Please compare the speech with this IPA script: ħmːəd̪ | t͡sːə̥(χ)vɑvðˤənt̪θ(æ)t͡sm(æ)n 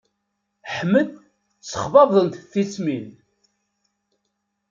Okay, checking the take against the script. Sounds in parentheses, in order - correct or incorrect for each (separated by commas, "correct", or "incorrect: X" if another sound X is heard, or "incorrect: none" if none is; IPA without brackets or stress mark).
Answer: correct, incorrect: i, incorrect: i